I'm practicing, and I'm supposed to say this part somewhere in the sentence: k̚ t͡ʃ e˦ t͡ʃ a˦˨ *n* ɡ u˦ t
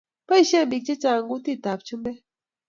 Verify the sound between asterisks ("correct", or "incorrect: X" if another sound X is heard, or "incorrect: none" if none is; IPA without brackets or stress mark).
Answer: incorrect: ŋ